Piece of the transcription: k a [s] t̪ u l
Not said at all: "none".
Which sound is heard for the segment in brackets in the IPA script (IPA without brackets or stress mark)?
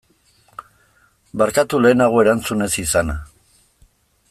none